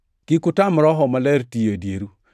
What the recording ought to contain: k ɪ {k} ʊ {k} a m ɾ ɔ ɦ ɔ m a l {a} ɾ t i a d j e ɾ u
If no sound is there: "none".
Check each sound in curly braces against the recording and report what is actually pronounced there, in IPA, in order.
k, t, ɛ

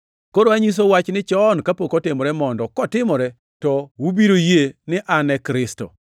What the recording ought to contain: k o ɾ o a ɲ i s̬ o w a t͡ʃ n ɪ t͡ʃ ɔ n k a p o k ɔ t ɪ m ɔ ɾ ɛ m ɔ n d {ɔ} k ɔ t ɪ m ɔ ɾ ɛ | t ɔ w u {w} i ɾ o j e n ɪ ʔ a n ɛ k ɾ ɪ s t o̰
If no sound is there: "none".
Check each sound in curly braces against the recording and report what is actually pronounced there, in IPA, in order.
ɔ, b

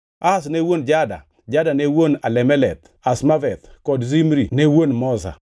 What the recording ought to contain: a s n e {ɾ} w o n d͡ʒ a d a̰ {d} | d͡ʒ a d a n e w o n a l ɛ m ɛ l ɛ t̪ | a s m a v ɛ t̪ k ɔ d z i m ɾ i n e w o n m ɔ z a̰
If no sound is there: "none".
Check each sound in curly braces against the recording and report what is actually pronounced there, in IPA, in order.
none, none

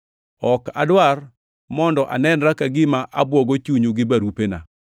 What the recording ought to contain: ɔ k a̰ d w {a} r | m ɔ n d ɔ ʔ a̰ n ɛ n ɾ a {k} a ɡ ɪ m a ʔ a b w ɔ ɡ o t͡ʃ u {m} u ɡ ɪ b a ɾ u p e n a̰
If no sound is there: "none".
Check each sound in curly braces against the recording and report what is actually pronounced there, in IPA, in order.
a, k, ɲ

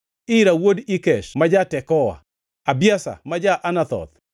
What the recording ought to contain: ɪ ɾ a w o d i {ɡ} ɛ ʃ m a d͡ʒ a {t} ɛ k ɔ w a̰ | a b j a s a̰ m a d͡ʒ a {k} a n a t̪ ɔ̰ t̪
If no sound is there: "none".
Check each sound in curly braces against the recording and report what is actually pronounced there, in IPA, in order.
k, t, ʔ

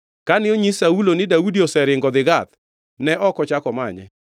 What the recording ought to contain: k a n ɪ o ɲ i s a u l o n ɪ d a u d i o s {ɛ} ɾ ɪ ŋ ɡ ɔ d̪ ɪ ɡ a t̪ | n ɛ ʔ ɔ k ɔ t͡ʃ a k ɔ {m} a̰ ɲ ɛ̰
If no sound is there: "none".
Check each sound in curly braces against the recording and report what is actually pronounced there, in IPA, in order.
ɛ, m

